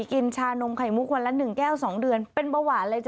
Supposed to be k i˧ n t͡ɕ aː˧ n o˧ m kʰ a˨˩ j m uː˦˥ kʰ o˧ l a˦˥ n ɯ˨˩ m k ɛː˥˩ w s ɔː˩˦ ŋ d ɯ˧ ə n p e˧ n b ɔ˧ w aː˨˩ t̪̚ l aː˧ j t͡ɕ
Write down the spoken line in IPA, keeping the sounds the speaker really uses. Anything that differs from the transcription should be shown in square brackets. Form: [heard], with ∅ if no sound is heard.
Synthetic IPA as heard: k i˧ n [t͡ɕʰ] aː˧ n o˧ m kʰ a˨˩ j m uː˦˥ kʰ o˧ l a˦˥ n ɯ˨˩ [ŋ] k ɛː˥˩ w s ɔː˩˦ ŋ d ɯ˧ ə n p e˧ n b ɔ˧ w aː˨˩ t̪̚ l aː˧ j t͡ɕ